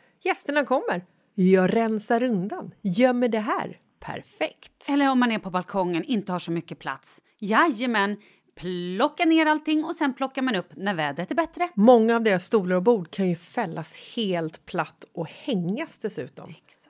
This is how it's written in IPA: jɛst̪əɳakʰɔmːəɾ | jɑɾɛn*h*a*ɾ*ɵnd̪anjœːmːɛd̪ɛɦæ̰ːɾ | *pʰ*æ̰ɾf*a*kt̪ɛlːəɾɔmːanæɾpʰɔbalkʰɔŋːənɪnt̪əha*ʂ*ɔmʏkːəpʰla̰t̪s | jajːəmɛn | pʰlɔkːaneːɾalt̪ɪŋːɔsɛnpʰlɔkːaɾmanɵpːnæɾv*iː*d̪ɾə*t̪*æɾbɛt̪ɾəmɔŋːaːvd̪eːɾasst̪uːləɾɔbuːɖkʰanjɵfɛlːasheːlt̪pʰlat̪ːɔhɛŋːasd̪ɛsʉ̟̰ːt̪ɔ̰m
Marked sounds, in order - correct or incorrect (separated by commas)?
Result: incorrect, correct, correct, incorrect, correct, incorrect, correct